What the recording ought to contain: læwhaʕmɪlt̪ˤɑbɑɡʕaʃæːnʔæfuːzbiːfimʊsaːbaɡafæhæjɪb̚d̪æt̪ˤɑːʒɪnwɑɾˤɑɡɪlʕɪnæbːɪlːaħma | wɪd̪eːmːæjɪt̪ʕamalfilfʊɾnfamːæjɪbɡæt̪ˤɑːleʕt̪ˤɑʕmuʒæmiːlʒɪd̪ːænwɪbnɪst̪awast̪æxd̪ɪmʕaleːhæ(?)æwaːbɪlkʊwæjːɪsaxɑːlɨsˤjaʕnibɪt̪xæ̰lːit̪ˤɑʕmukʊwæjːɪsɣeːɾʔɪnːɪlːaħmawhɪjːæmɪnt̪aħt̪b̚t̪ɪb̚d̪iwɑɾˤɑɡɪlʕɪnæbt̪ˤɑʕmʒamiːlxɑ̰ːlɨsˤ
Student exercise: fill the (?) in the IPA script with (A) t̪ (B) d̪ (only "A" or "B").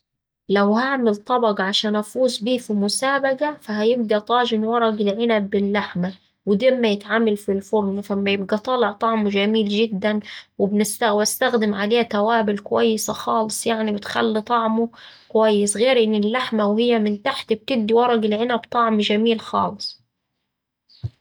A